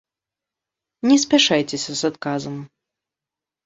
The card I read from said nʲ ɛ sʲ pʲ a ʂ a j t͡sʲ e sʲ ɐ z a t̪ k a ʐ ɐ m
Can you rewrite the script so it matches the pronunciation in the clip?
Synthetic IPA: nʲ ɛ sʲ pʲ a ʂ a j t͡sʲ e sʲ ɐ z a t̪ k a z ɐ m

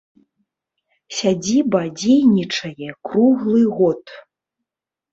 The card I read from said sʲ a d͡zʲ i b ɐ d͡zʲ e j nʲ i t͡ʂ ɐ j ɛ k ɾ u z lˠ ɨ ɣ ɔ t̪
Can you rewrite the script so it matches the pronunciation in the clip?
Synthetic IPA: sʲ a d͡zʲ i b ɐ d͡zʲ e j nʲ i t͡ʂ ɐ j ɛ k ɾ u ɣ lˠ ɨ ɣ ɔ t̪

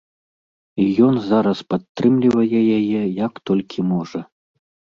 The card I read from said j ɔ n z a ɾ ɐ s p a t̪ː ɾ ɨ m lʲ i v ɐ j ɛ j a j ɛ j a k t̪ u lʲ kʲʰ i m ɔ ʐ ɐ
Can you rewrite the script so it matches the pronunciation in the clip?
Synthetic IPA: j ɔ n z a ɾ ɐ s p a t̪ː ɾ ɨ m lʲ i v ɐ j ɛ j a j ɛ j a k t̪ ɔ lʲ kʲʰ i m ɔ ʐ ɐ

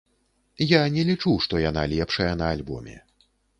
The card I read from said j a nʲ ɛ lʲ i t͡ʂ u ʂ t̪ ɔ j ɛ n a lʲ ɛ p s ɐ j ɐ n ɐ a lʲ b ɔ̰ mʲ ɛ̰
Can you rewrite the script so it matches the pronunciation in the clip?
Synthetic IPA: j a nʲ ɛ lʲ i t͡ʂ u ʂ t̪ ɔ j a n a lʲ ɛ p ʂ ɐ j ɐ n ɐ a lʲ b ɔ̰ mʲ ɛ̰

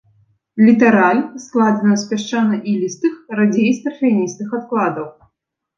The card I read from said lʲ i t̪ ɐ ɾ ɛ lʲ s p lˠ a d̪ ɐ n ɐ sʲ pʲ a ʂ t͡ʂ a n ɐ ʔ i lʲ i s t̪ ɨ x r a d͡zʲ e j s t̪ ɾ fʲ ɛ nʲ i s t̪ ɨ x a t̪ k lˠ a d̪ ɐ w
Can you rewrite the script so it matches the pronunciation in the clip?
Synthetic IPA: lʲ i t̪ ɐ ɾ a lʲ s k lˠ a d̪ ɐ n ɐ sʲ pʲ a ʂ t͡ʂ a n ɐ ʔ i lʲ i s t̪ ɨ x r a d͡zʲ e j s t̪ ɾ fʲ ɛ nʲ i s t̪ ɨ x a t̪ k lˠ a d̪ ɐ w

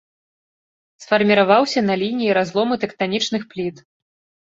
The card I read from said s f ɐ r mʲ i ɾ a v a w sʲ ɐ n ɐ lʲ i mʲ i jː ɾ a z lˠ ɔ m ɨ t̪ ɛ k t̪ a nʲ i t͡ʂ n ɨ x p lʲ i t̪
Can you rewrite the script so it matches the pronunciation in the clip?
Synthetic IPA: s f ɐ r mʲ i ɾ a v a w sʲ ɐ n ɐ lʲ i nʲ i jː ɾ a z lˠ ɔ m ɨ t̪ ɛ k t̪ a nʲ i t͡ʂ n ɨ x p lʲ i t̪

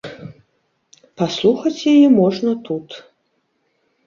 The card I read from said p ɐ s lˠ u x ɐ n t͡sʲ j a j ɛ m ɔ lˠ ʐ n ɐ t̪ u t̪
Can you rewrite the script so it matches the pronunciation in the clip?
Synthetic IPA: p a s lˠ u x ɐ t͡sʲ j a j ɛ m ɔ ʐ n ɐ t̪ u t̪

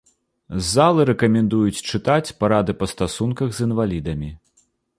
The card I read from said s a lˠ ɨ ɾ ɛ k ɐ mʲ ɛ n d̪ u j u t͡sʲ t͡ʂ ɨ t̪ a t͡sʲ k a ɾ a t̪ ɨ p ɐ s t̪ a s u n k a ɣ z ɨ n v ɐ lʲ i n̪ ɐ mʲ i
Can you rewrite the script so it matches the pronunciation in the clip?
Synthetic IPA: z a lˠ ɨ ɾ ɛ k ɐ mʲ ɛ n d̪ u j u t͡sʲ t͡ʂ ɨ t̪ a t͡sʲ p a ɾ a d̪ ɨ p ɐ s t̪ a s u n k ɐ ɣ z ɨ n v a lʲ i d̪ ɐ mʲ i

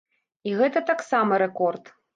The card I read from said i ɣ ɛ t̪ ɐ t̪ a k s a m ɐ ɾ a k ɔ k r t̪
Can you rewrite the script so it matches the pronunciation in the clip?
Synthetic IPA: i ɣ ɛ t̪ ɐ t̪ a k s a m ɐ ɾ ɛ k ɔ r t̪

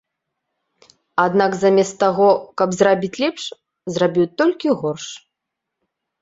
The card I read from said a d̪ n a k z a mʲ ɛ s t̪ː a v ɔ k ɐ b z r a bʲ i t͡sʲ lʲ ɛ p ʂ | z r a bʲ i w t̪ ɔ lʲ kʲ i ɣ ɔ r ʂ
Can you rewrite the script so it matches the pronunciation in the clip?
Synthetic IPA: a d̪ n a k z a mʲ ɛ s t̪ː a ɣ ɔ k ɐ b z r a bʲ i t͡sʲ lʲ ɛ p ʂ | z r a bʲ i w t̪ ɔ lʲ kʲ i ɣ ɔ r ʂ

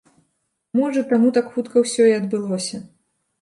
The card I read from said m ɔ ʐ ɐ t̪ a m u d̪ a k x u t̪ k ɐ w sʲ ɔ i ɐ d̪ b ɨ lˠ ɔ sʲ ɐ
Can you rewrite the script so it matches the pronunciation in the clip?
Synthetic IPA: m ɔ ʐ ɐ t̪ a m u t̪ a k x u t̪ k ɐ w sʲ ɔ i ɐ d̪ b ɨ lˠ ɔ sʲ ɐ

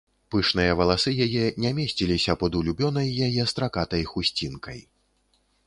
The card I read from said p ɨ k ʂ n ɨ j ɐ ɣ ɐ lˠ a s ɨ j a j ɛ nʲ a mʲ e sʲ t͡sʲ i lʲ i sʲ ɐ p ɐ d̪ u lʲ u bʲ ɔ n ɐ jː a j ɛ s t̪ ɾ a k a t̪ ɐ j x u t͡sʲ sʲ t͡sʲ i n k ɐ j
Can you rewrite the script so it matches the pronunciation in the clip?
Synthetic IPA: p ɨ ʂ n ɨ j ɐ v ɐ lˠ a s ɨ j a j ɛ nʲ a mʲ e sʲ t͡sʲ i lʲ i sʲ ɐ p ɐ d̪ u lʲ u bʲ ɔ n ɐ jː a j ɛ s t̪ ɾ a k a t̪ ɐ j x u sʲ t͡sʲ i n k ɐ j

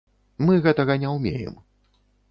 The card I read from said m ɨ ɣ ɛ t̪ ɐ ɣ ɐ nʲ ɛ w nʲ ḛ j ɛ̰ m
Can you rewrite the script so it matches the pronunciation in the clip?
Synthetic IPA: m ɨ ɣ ɛ t̪ ɐ ɣ ɐ nʲ ɛ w mʲ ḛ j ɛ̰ m

